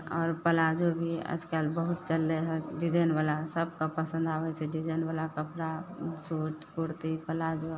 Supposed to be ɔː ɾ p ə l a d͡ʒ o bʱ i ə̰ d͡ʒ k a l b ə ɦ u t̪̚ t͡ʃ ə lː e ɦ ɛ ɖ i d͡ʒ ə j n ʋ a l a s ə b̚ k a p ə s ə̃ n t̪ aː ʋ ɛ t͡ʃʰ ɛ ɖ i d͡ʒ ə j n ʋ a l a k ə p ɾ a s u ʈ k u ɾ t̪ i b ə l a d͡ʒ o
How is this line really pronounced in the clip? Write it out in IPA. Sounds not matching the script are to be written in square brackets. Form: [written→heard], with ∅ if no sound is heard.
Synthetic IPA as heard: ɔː ɾ p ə l a d͡ʒ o bʱ i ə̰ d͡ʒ k a l b ə ɦ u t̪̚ t͡ʃ ə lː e ɦ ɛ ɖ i d͡ʒ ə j n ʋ a l a s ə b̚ k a p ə s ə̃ n [t̪→d̪] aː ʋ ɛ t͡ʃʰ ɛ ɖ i d͡ʒ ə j n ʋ a l a k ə p ɾ a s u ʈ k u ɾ t̪ i [b→p] ə l a d͡ʒ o

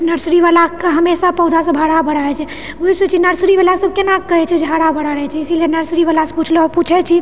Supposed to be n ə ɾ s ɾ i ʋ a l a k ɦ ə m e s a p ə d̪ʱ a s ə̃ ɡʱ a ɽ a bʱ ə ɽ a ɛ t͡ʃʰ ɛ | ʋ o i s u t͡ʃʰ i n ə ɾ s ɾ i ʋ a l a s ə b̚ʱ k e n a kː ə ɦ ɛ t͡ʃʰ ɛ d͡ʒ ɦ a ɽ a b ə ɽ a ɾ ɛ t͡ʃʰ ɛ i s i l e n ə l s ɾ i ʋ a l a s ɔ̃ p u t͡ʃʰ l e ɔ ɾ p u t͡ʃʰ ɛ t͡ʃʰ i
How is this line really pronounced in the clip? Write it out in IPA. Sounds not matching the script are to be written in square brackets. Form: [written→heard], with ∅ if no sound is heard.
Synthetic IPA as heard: n ə ɾ s ɾ i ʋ a l a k ɦ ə m e s a p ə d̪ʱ a s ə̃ [ɡʱ→bʱ] a ɽ a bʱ ə ɽ a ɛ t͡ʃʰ ɛ | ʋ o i s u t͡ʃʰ i n ə ɾ s ɾ i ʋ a l a s ə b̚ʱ k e n a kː ə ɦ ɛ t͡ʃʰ ɛ d͡ʒ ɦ a ɽ a b ə ɽ a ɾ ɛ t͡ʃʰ ɛ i s i l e n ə [l→ɾ] s ɾ i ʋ a l a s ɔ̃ p u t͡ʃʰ l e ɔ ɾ p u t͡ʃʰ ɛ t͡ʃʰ i

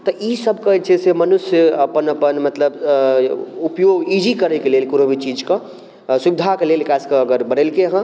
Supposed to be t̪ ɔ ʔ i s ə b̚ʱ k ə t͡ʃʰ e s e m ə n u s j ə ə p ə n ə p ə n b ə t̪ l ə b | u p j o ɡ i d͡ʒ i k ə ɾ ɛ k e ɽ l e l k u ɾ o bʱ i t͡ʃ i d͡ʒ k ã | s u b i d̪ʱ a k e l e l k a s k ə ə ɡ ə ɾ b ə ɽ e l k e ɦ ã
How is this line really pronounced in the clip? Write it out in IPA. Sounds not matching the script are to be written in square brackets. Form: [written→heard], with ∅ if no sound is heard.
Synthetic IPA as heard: t̪ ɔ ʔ i s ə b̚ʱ k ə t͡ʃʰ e s e m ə n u s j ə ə p ə n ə p ə n [b→m] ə t̪ l ə b | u p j o ɡ i d͡ʒ i k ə ɾ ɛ k e [ɽ→∅] l e l k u ɾ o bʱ i t͡ʃ i d͡ʒ k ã | s u b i d̪ʱ a k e l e l k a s k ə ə ɡ ə ɾ b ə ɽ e l k e ɦ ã

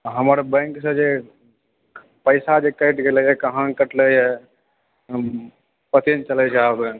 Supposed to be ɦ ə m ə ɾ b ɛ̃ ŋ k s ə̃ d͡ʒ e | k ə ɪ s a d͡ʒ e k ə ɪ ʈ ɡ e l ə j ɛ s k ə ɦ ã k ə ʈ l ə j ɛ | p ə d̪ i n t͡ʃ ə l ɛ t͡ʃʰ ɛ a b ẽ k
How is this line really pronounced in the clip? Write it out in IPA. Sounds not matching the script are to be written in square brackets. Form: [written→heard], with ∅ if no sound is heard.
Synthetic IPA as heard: ɦ ə m ə ɾ b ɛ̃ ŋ k s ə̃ d͡ʒ e | [k→p] ə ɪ s a d͡ʒ e k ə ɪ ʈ ɡ e l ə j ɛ [s→∅] k ə ɦ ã k ə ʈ l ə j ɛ | p ə [d̪→t̪] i n t͡ʃ ə l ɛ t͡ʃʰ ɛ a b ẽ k

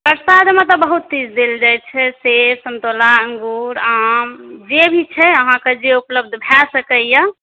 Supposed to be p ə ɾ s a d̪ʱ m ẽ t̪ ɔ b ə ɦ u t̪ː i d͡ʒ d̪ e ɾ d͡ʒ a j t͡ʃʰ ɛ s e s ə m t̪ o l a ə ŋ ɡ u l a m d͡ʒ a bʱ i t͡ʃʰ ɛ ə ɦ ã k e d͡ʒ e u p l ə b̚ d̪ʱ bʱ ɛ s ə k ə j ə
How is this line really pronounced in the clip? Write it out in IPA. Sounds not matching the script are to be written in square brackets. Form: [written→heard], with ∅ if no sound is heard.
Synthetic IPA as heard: p ə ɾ s a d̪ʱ m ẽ t̪ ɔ b ə ɦ u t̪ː i d͡ʒ d̪ e [ɾ→l] d͡ʒ a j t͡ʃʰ ɛ s e s ə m t̪ o l a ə ŋ ɡ u [l→ɾ] a m d͡ʒ [a→e] bʱ i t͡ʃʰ ɛ ə ɦ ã k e d͡ʒ e u p l ə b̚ d̪ʱ bʱ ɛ s ə k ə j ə

